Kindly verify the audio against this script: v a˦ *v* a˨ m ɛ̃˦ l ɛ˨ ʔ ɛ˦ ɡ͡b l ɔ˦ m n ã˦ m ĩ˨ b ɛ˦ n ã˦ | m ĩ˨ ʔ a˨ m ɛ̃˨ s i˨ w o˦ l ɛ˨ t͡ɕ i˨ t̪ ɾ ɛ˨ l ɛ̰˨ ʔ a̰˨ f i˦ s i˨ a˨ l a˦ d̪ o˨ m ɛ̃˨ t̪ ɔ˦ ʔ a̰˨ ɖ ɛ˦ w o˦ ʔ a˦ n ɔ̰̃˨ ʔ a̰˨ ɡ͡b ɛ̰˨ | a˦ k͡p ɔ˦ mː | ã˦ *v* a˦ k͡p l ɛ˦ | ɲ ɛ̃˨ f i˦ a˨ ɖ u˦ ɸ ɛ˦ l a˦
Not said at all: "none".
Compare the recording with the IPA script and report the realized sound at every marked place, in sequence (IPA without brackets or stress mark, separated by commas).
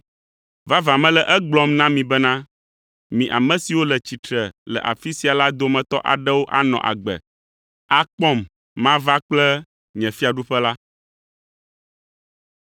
v, v